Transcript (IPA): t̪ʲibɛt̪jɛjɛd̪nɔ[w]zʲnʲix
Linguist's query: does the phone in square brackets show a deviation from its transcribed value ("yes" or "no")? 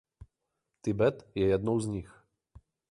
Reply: no